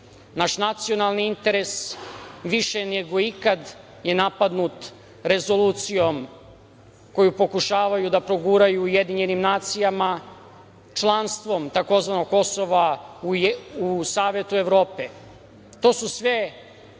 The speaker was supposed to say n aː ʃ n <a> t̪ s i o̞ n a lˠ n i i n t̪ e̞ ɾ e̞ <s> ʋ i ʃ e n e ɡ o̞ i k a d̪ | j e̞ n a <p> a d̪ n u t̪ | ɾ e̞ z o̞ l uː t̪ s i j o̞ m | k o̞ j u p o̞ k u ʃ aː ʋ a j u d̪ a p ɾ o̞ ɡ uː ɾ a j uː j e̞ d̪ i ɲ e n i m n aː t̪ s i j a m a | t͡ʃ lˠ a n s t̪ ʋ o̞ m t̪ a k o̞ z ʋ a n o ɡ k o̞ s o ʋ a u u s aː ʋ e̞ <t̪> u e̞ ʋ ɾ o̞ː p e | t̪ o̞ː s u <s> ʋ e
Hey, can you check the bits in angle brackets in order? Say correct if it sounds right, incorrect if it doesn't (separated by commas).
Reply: correct, correct, correct, correct, correct